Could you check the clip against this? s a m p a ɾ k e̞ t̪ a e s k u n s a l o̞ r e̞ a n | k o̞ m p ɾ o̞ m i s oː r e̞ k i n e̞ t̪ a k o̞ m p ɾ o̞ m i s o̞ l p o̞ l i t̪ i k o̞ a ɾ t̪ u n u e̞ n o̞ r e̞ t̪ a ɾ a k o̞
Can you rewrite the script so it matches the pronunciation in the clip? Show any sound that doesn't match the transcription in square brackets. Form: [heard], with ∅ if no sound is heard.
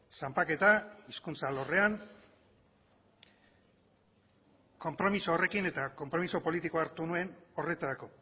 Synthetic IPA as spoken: s a m p a [∅] k e̞ t̪ a [i] s k u n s a l o̞ r e̞ a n | k o̞ m p ɾ o̞ m i s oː r e̞ k i n e̞ t̪ a k o̞ m p ɾ o̞ m i s o̞ [∅] p o̞ l i t̪ i k o̞ a ɾ t̪ u n u e̞ n o̞ r e̞ t̪ a ɾ a k o̞

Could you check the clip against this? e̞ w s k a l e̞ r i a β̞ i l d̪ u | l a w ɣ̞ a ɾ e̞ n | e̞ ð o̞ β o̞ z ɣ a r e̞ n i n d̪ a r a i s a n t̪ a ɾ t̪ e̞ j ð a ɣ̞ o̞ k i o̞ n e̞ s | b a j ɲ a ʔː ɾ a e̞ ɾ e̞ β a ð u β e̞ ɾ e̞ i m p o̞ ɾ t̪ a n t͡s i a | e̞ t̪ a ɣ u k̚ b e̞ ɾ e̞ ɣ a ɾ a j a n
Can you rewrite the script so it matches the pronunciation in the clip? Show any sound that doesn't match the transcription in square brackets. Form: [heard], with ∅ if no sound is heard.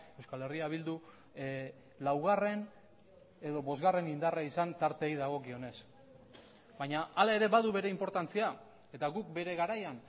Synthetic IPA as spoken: e̞ w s k a l e̞ r i a β̞ i l d̪ u | l a w ɣ̞ a [r] e̞ n | e̞ ð o̞ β o̞ z ɣ a r e̞ n i n d̪ a r a i s a n t̪ a ɾ t̪ e̞ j ð a ɣ̞ o̞ k i o̞ n e̞ s | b a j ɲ a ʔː [l] a e̞ ɾ e̞ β a ð u β e̞ ɾ e̞ i m p o̞ ɾ t̪ a n t͡s i a | e̞ t̪ a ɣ u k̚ b e̞ ɾ e̞ ɣ a ɾ a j a n

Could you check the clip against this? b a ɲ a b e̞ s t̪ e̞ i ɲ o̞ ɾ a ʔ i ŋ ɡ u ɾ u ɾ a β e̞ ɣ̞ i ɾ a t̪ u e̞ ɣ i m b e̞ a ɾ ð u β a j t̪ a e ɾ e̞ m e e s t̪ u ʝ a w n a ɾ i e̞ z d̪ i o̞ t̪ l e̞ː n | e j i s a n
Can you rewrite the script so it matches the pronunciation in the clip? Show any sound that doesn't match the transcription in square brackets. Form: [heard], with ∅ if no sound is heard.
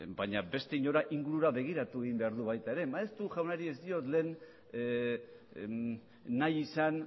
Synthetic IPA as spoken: b a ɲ a b e̞ s t̪ e̞ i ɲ o̞ ɾ a ʔ i ŋ ɡ u ɾ u ɾ a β e̞ ɣ̞ i ɾ a t̪ u e̞ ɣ i m b e̞ a ɾ ð u β a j t̪ a e ɾ e̞ m [a] e s t̪ u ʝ a w n a ɾ i e̞ z d̪ i o̞ t̪ l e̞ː n | [a] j i s a n

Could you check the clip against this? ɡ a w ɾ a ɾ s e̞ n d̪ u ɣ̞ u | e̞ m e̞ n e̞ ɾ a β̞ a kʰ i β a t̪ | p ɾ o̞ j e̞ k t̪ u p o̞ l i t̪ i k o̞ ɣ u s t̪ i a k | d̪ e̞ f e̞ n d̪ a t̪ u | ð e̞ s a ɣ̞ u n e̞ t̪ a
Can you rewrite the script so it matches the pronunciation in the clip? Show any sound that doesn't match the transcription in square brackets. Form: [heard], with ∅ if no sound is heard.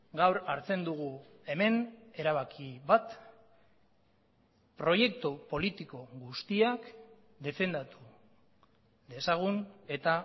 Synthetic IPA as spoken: ɡ a w ɾ a ɾ [t͡s] e̞ n d̪ u ɣ̞ u | e̞ m e̞ n e̞ ɾ a β̞ a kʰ i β a t̪ | p ɾ o̞ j e̞ k t̪ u p o̞ l i t̪ i k o̞ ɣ u s t̪ i a k | d̪ e̞ f e̞ n d̪ a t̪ u | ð e̞ s a ɣ̞ u n e̞ t̪ a

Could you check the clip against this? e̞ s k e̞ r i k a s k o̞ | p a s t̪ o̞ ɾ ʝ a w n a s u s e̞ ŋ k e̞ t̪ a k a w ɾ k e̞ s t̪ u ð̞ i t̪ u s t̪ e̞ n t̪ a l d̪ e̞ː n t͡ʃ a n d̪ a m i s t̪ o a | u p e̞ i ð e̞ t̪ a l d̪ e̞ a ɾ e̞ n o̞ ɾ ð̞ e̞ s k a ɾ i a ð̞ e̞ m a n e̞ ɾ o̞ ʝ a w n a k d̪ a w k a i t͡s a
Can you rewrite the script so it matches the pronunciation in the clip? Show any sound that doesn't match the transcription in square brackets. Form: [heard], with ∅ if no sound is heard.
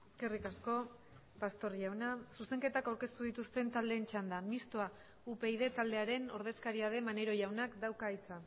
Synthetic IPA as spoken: e̞ s k e̞ r i k a s k o̞ | p a s t̪ o̞ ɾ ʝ a w n a s u s e̞ ŋ k e̞ t̪ a k a w ɾ k e̞ s t̪ u ð̞ i t̪ u s t̪ e̞ n t̪ a l d̪ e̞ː n t͡ʃ a n d̪ a m i s t̪ o a | u p e̞ i ð e̞ t̪ a l d̪ e̞ a ɾ e̞ n o̞ ɾ ð̞ e̞ s k a ɾ i a ð̞ e̞ m a n e̞ ɾ o̞ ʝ a w n a k d̪ a w k a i t͡s a

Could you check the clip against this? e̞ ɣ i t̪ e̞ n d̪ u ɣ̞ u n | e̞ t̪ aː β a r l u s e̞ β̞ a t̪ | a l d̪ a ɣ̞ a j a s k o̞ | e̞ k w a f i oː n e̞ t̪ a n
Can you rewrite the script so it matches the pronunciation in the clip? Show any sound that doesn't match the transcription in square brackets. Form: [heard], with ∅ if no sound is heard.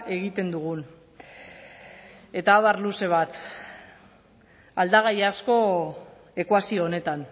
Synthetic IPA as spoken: e̞ ɣ i t̪ e̞ n d̪ u ɣ̞ u n | e̞ t̪ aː β a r l u s e̞ β̞ a t̪ | a l d̪ a ɣ̞ a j a s k o̞ | e̞ k w a [s] i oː n e̞ t̪ a n

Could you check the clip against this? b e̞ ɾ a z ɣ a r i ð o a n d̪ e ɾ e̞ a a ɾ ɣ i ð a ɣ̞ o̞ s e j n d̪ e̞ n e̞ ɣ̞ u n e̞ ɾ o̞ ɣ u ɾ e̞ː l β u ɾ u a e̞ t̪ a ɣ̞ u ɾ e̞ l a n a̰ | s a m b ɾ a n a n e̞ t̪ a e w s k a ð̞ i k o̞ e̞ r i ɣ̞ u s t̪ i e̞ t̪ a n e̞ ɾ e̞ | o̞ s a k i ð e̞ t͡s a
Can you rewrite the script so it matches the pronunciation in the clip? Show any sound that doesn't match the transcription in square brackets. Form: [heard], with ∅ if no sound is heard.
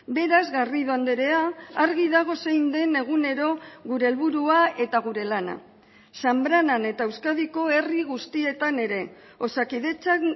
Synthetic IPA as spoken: b e̞ ɾ a z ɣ a r i ð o a n d̪ e ɾ e̞ a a ɾ ɣ i ð a ɣ̞ o̞ s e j n d̪ e̞ n e̞ ɣ̞ u n e̞ ɾ o̞ ɣ u ɾ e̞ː l β u ɾ u a e̞ t̪ a ɣ̞ u ɾ e̞ l a n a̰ | s a m b ɾ a n a n e̞ t̪ a e w s k a ð̞ i k o̞ e̞ r i ɣ̞ u s t̪ i e̞ t̪ a n e̞ ɾ e̞ | o̞ s a k i ð e̞ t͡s a

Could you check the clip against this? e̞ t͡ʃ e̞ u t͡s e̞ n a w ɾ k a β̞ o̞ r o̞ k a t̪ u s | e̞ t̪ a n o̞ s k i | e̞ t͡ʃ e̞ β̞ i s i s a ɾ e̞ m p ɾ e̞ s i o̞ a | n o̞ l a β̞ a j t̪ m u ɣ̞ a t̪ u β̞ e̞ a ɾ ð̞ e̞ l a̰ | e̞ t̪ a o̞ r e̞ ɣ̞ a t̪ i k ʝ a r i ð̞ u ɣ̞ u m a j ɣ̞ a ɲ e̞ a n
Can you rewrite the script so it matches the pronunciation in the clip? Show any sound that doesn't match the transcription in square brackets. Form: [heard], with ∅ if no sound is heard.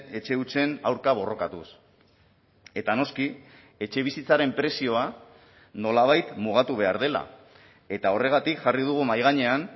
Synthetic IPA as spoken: e̞ t͡ʃ e̞ u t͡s e̞ n a w ɾ k a β̞ o̞ r o̞ k a t̪ u s | e̞ t̪ a n o̞ s k i | e̞ t͡ʃ e̞ β̞ i s i [t͡s] a ɾ e̞ m p ɾ e̞ s i o̞ a | n o̞ l a β̞ a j t̪ m u ɣ̞ a t̪ u β̞ e̞ a ɾ ð̞ e̞ l a̰ | e̞ t̪ a o̞ r e̞ ɣ̞ a t̪ i k ʝ a r i ð̞ u ɣ̞ u m a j ɣ̞ a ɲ e̞ a n

